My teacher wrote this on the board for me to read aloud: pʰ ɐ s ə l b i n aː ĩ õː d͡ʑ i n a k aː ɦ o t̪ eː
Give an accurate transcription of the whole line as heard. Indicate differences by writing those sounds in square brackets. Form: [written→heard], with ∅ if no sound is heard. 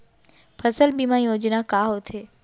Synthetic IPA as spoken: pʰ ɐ s ə l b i [n→m] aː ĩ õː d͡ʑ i n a k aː ɦ o [t̪→t̪ʰ] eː

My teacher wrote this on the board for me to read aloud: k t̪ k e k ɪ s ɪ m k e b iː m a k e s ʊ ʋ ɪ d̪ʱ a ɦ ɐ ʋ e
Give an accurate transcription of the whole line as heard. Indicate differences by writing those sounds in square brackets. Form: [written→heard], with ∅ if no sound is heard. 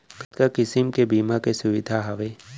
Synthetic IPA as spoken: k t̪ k [e→a] k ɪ s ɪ m k e b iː m a k e s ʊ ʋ ɪ d̪ʱ a ɦ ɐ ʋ e

